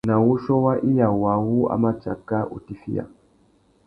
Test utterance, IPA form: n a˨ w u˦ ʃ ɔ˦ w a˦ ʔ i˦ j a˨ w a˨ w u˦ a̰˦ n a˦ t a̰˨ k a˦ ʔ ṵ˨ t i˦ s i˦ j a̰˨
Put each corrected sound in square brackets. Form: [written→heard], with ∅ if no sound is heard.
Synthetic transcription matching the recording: n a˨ w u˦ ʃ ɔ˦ w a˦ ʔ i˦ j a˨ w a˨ w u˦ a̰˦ [n→m] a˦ [t→t͡ʃ] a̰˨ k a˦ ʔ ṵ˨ t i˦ [s→f] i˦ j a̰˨